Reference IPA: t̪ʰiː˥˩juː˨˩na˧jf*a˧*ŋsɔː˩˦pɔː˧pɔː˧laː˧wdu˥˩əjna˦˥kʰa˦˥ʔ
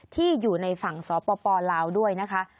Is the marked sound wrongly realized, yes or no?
yes